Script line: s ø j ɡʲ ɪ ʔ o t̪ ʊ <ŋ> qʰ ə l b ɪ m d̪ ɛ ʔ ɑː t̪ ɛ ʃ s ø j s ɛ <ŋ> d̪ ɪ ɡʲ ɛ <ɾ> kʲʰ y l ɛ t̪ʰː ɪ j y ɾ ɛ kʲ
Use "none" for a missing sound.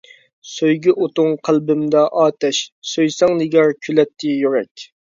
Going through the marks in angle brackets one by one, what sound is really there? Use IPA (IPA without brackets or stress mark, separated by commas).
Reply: ŋ, ŋ, ɾ